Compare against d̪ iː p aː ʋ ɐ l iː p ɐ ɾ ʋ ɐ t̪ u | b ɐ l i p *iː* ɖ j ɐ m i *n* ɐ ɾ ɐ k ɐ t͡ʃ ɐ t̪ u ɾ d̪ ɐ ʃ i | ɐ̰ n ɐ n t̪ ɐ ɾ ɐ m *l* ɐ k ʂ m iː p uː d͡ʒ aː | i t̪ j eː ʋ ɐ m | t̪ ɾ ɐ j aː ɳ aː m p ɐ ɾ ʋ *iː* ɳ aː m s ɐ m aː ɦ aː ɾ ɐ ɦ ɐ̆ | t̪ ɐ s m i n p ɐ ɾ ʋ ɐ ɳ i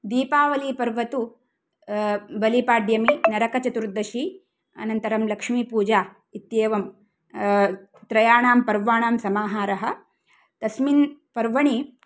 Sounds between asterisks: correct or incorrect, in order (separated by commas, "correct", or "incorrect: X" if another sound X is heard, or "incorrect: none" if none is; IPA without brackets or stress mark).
incorrect: aː, correct, correct, incorrect: aː